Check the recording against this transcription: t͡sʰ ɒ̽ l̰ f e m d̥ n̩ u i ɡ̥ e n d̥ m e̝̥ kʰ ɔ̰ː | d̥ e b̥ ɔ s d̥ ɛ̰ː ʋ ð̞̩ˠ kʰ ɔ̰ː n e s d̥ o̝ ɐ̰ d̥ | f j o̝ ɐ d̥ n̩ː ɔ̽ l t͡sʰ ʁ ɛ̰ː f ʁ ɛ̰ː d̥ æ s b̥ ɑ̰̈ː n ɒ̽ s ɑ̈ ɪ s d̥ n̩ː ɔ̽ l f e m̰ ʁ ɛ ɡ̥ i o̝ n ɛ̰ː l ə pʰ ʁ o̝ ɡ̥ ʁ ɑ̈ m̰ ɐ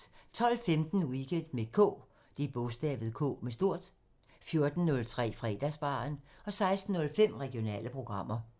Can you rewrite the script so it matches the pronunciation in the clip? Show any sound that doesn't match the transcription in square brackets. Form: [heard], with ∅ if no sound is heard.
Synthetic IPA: t͡sʰ ɒ̽ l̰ f e m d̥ n̩ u i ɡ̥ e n d̥ m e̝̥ kʰ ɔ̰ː | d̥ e b̥ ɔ s d̥ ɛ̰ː ʋ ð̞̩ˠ kʰ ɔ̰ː [m] e s d̥ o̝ ɐ̰ d̥ | f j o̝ ɐ d̥ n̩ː ɔ̽ l t͡sʰ ʁ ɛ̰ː f ʁ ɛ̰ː d̥ æ s b̥ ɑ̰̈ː n ɒ̽ s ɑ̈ ɪ s d̥ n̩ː ɔ̽ l f e m̰ ʁ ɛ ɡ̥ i o̝ n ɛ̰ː l ə pʰ ʁ o̝ ɡ̥ ʁ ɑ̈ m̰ ɐ

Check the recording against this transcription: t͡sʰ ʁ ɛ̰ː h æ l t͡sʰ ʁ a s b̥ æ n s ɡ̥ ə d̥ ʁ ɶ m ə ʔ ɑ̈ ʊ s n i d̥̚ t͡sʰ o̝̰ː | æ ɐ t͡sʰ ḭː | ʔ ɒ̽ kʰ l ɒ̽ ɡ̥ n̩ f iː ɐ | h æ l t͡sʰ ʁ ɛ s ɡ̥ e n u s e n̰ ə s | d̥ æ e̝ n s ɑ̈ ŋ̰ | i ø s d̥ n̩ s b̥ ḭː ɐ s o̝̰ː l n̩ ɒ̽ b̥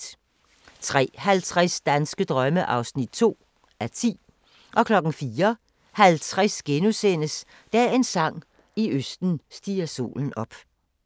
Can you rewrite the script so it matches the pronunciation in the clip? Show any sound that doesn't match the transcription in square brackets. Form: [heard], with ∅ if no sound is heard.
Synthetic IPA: t͡sʰ ʁ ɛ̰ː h æ l t͡sʰ ʁ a s [d̥] æ n s ɡ̥ ə d̥ ʁ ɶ m ə ʔ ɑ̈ ʊ s n i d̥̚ t͡sʰ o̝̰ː | æ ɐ t͡sʰ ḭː | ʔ ɒ̽ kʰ l ɒ̽ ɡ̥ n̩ f iː ɐ | h æ l t͡sʰ ʁ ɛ s ɡ̥ e n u s e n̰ ə s | d̥ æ e̝ n s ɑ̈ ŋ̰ | i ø s d̥ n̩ s [d̥] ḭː ɐ s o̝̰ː l n̩ ɒ̽ b̥

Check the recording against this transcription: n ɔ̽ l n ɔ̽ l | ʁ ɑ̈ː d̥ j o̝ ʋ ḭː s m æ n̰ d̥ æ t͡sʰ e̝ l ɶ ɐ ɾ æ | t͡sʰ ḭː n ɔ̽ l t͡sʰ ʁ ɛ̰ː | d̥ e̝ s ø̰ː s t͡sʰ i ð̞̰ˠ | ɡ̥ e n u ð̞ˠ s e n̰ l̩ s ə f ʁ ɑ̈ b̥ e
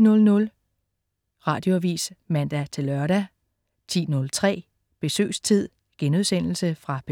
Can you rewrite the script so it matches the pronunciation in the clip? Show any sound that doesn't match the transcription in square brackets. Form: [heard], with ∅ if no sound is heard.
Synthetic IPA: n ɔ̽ l n ɔ̽ l | ʁ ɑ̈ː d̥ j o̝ ʋ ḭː s m æ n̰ d̥ æ t͡sʰ e̝ l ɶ ɐ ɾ æ | t͡sʰ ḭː n ɔ̽ l t͡sʰ ʁ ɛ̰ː | [b̥] e̝ s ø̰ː s t͡sʰ i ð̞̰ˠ | ɡ̥ e n u ð̞ˠ s e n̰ l̩ s ə f ʁ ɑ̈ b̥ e

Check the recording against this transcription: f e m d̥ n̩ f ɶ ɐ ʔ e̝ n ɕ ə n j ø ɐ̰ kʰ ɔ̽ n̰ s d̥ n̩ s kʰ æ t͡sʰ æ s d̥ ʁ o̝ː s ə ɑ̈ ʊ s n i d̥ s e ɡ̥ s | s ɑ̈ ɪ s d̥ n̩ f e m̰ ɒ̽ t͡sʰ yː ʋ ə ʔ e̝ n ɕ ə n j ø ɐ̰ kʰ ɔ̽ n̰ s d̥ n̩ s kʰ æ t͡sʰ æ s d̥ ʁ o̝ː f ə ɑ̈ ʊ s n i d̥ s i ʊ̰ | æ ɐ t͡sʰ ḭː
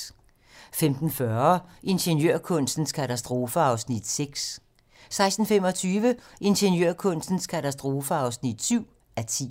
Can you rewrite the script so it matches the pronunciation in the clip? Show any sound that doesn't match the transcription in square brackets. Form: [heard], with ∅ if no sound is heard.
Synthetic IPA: f e m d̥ n̩ f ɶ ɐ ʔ e̝ n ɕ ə n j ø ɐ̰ kʰ ɔ̽ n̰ s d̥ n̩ s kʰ æ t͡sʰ æ s d̥ ʁ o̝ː [f] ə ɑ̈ ʊ s n i d̥ s e ɡ̥ s | s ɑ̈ ɪ s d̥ n̩ f e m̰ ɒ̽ t͡sʰ yː ʋ ə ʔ e̝ n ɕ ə n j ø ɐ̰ kʰ ɔ̽ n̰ s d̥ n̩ s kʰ æ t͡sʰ æ s d̥ ʁ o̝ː f ə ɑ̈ ʊ s n i d̥ s [y] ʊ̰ | æ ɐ t͡sʰ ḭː

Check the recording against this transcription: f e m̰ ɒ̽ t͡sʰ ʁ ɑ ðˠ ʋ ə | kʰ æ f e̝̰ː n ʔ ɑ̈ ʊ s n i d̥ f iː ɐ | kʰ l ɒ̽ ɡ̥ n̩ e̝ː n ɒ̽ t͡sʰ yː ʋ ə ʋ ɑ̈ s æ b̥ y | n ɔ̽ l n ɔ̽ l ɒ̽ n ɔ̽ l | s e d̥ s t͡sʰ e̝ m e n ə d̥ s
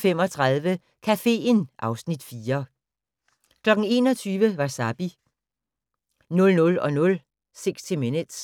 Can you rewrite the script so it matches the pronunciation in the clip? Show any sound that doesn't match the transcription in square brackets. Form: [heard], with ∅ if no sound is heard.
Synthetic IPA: f e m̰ ɒ̽ t͡sʰ ʁ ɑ ðˠ ʋ ə | kʰ æ f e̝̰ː n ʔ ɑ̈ ʊ s n i d̥ f iː ɐ | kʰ l ɒ̽ ɡ̥ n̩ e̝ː n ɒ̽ t͡sʰ yː ʋ ə ʋ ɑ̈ s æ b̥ [i] | n ɔ̽ l n ɔ̽ l ɒ̽ n ɔ̽ l | s e [ɡ̥] s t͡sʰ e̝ m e n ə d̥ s

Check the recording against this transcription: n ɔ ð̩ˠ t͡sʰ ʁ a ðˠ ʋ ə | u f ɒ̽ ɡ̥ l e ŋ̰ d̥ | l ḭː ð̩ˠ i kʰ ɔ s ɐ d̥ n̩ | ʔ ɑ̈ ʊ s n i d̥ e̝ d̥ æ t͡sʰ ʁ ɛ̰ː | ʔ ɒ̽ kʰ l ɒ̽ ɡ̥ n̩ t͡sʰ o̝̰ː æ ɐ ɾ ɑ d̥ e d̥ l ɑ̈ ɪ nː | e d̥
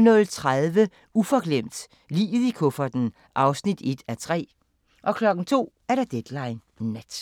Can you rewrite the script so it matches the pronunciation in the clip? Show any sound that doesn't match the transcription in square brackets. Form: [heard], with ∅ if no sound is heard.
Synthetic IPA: n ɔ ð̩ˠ t͡sʰ ʁ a ðˠ ʋ ə | u f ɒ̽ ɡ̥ l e [m̰] d̥ | l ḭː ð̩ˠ i kʰ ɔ [f] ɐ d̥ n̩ | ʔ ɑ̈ ʊ s n i d̥ e̝ d̥ æ t͡sʰ ʁ ɛ̰ː | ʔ ɒ̽ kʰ l ɒ̽ ɡ̥ n̩ t͡sʰ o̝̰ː æ ɐ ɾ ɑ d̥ e d̥ l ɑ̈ ɪ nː | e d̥

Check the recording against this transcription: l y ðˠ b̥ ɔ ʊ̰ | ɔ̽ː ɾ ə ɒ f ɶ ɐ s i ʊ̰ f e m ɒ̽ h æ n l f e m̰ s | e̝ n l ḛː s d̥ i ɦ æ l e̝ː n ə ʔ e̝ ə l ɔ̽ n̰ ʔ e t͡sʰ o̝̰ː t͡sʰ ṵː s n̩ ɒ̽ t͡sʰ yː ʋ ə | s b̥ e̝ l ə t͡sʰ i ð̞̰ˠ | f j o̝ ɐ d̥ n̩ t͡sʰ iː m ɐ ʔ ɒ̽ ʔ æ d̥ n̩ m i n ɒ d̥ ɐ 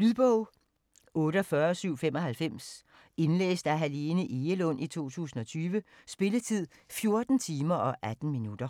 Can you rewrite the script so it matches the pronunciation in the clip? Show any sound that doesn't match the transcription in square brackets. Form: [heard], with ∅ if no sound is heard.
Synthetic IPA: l y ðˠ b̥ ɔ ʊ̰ | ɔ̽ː ɾ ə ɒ f ɶ ɐ s [y] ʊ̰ f e m ɒ̽ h æ [∅] l f e m̰ s | e̝ n l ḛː s d̥ [æ] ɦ æ l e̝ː n ə ʔ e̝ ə l ɔ̽ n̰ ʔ [i] t͡sʰ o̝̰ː t͡sʰ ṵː s n̩ ɒ̽ t͡sʰ yː ʋ ə | s b̥ e̝ l ə t͡sʰ i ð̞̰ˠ | f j o̝ ɐ d̥ n̩ t͡sʰ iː m ɐ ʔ ɒ̽ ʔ æ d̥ n̩ m i n [u] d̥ ɐ

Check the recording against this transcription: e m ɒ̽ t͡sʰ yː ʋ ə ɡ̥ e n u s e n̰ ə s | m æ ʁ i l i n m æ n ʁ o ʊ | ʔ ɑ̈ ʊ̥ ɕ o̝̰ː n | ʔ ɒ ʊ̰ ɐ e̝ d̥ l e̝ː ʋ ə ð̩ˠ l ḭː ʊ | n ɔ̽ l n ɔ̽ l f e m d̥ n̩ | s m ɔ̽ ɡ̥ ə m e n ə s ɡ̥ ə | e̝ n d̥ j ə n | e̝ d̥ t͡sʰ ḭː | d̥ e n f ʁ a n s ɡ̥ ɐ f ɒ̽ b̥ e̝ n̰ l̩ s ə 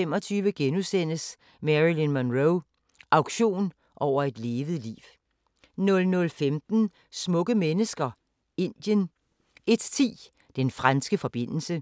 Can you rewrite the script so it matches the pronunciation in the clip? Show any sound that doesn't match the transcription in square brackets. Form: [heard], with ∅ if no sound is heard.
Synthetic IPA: e m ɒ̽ t͡sʰ yː ʋ ə ɡ̥ e n u s e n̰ ə s | m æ ʁ i l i n m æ n ʁ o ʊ | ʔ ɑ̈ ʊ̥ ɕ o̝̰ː n | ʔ ɒ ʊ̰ ɐ e̝ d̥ l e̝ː ʋ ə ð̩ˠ l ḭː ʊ | n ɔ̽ l n ɔ̽ l f e m d̥ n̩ | s m ɔ̽ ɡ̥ ə m e n ə s ɡ̥ [ɐ] | e̝ n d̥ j ə n | e̝ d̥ t͡sʰ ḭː | d̥ e n f ʁ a n s ɡ̥ [ə] f ɒ̽ b̥ e̝ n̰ l̩ s ə

